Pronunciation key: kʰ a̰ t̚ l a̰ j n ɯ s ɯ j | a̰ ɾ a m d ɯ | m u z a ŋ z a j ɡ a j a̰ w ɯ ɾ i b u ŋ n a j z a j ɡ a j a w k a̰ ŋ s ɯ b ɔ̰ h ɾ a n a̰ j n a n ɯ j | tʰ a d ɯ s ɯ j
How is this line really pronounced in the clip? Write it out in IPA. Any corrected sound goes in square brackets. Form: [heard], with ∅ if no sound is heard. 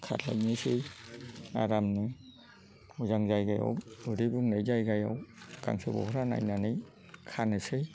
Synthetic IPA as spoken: kʰ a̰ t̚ l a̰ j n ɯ s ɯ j | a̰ ɾ a m [n] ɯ | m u z a ŋ z a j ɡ a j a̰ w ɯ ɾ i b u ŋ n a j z a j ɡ a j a w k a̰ ŋ s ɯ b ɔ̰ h ɾ a n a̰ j n a n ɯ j | [kʰ] a [n] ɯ s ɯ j